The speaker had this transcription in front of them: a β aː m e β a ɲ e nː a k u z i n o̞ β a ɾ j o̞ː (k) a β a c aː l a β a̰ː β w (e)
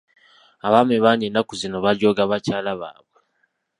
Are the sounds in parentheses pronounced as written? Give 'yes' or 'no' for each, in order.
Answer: no, yes

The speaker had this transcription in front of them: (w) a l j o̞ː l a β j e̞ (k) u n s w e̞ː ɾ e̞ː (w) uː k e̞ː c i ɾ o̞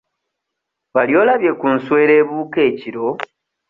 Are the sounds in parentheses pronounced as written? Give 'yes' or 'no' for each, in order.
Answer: no, yes, no

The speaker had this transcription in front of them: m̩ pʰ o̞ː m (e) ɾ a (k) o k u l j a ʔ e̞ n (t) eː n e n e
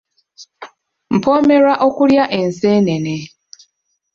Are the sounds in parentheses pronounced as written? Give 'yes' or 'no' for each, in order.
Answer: yes, no, no

